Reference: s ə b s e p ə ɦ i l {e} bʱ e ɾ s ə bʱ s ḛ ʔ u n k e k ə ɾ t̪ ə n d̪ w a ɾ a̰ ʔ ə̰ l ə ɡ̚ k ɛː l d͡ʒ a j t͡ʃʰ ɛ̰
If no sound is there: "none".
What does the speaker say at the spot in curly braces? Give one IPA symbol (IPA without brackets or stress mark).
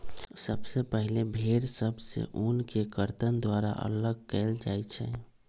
e